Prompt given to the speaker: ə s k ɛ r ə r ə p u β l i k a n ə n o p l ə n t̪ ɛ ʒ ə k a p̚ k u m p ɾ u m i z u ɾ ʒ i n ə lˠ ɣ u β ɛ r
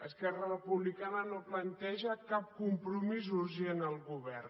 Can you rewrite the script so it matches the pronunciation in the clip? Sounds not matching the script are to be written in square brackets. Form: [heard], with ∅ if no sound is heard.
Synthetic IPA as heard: ə s k ɛ r ə r ə p u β l i k a n ə n o p l ə n t̪ ɛ ʒ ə k a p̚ k u m p ɾ u m i z u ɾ ʒ [e] n ə lˠ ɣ u β ɛ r